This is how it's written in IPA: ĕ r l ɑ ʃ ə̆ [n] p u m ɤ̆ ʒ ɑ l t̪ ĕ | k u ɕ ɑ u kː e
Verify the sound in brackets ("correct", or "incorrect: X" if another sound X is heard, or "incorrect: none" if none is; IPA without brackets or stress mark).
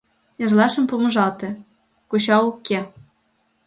incorrect: m